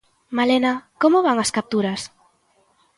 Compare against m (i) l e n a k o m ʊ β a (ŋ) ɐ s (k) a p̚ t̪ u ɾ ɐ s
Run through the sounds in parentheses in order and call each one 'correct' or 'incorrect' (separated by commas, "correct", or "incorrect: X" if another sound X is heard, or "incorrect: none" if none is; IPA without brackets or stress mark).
incorrect: a, correct, correct